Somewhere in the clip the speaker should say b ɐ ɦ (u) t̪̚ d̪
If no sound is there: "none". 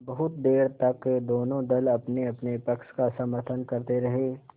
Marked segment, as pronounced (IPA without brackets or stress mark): ʊ